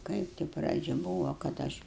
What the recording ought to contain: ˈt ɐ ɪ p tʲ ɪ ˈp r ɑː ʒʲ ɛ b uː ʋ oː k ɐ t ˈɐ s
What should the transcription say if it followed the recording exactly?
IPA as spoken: ˈk ɐ ɪ p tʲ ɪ ˈp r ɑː d͡ʒʲ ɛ b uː ʋ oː k ɐ t ˈɐ ʃ